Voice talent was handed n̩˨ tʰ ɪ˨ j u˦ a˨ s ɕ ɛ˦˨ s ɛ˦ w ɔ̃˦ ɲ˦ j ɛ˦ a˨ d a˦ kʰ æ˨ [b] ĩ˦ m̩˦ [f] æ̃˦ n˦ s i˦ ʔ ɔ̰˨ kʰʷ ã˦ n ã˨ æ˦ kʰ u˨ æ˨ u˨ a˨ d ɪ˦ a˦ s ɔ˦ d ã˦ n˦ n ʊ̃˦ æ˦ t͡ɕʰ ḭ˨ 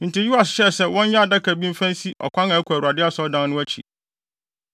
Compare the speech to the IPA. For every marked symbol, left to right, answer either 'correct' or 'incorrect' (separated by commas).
correct, correct